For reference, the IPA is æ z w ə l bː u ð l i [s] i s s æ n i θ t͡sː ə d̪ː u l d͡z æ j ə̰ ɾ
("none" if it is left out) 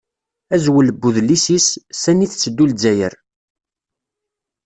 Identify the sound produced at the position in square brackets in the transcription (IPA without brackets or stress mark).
s